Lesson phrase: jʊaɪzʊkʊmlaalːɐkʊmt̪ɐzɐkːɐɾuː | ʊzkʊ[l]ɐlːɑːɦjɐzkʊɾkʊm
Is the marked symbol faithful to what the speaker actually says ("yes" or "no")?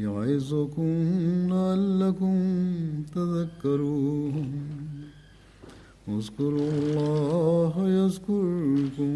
no